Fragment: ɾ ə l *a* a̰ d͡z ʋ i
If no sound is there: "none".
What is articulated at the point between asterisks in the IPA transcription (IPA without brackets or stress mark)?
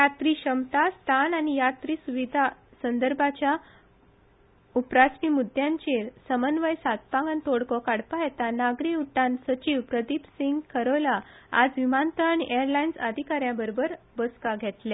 a